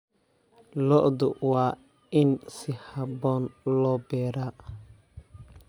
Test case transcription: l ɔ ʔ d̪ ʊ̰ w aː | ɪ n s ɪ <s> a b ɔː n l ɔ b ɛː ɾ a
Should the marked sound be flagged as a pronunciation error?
yes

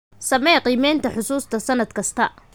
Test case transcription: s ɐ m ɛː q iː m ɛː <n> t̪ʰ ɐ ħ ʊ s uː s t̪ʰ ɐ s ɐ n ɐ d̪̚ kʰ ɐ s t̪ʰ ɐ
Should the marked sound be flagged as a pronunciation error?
no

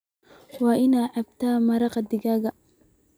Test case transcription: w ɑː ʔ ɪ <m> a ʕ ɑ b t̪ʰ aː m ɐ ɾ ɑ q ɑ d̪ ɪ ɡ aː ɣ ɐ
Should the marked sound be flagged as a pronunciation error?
yes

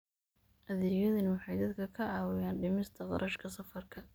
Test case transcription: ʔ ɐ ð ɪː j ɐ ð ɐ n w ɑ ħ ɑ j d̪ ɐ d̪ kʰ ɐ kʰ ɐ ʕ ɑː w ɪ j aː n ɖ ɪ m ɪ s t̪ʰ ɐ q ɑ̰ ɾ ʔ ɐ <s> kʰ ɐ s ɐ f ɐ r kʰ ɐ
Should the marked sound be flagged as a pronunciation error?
yes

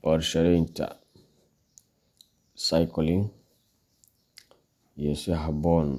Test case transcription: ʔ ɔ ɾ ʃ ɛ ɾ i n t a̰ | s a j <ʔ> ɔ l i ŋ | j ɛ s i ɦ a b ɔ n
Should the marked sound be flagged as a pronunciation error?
yes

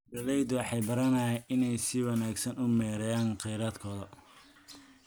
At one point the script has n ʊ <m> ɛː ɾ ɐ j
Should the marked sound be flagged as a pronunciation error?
no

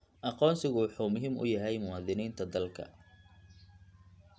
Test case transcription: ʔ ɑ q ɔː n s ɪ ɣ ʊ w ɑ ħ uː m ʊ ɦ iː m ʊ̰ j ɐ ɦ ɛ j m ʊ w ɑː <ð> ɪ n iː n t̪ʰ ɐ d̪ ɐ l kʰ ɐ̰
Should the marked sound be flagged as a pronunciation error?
no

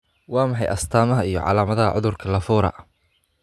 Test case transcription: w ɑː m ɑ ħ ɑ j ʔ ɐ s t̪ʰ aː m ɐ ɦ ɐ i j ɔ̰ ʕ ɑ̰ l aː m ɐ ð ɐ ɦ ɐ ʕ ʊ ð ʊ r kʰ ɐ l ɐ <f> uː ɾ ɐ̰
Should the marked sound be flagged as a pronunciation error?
no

